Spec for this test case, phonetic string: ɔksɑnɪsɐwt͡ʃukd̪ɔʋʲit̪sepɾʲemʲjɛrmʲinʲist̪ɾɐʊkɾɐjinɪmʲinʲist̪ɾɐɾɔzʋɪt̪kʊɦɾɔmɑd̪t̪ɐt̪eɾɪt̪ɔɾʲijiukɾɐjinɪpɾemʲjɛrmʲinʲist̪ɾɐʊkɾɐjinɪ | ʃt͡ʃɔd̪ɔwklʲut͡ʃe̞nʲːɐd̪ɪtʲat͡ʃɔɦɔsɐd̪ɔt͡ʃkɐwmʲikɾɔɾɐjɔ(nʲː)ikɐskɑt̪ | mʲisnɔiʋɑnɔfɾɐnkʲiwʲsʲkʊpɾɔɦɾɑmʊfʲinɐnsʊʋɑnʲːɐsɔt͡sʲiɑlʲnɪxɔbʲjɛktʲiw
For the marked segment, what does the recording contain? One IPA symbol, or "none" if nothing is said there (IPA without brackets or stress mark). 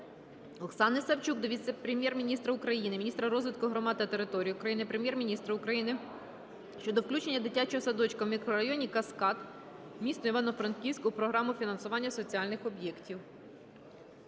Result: nʲ